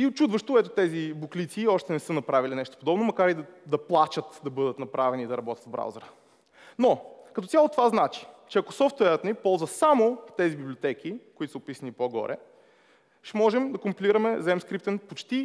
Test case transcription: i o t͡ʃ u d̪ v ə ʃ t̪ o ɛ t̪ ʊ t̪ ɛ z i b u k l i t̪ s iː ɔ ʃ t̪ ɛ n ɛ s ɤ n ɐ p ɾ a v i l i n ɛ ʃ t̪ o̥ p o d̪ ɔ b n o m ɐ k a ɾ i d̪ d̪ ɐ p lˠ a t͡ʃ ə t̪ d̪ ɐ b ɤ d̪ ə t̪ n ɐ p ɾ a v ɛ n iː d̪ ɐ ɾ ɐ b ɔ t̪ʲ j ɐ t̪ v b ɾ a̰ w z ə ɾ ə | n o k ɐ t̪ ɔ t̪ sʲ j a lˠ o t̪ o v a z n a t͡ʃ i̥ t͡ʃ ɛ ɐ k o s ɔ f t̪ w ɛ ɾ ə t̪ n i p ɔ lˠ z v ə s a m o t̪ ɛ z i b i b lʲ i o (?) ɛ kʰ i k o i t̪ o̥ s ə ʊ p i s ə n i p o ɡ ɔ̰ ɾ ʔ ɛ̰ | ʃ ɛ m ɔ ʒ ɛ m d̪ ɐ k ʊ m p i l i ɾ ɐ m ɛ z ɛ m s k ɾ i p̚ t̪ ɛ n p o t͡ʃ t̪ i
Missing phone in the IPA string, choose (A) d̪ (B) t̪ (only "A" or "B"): B